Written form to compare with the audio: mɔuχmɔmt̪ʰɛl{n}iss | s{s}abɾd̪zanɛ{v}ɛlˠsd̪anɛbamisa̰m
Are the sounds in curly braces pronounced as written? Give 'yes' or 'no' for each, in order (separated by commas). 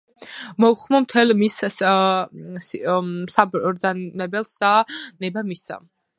no, yes, no